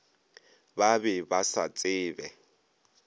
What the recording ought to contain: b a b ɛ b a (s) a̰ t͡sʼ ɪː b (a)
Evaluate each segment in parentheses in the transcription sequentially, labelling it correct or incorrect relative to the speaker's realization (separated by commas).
correct, incorrect